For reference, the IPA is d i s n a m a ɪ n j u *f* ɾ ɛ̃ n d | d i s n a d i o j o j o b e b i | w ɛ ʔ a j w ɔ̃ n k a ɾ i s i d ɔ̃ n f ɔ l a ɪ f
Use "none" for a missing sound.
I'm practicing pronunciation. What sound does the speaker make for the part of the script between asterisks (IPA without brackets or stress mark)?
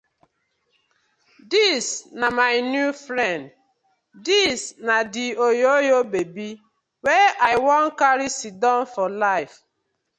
f